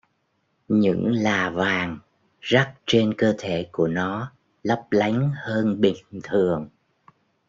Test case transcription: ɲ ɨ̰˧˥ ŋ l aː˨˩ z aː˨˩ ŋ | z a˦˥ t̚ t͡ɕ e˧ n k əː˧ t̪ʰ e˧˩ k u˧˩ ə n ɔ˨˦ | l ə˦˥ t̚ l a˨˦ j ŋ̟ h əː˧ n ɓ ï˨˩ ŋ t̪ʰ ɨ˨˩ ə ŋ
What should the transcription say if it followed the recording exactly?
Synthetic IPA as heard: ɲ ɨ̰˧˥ ŋ l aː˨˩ v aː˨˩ ŋ | z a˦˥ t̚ t͡ɕ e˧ n k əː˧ t̪ʰ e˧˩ k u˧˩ ə n ɔ˨˦ | l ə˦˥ p̚ l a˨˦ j ŋ̟ h əː˧ n ɓ ï˨˩ ŋ t̪ʰ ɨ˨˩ ə ŋ